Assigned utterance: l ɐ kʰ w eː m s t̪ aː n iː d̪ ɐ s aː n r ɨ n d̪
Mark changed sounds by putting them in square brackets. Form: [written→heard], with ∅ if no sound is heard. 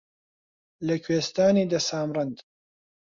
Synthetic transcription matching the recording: l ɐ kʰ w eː [m→∅] s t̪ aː n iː d̪ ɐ s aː [n→m] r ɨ n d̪

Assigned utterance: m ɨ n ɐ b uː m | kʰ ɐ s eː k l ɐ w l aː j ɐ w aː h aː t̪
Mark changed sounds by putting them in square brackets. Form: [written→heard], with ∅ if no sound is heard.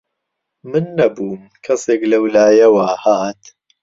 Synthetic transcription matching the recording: m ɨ [n→nː] ɐ b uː m | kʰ ɐ s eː k l ɐ w l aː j ɐ w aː h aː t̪

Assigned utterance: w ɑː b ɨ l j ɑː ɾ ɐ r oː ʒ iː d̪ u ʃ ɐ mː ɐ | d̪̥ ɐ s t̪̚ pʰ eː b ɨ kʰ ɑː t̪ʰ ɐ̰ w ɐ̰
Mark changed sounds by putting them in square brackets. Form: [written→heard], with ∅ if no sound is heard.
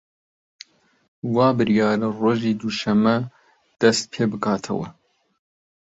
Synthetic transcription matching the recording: w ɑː b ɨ [l→ɾ] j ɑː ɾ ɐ r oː ʒ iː d̪ u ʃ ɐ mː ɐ | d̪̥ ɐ s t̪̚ pʰ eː b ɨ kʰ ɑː t̪ʰ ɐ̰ w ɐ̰

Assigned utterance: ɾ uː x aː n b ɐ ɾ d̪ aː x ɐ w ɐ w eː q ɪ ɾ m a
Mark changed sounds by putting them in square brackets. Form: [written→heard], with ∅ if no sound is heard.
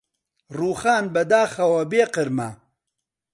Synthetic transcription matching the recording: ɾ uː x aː n b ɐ [ɾ→∅] d̪ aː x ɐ w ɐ [w→b] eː q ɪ ɾ m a

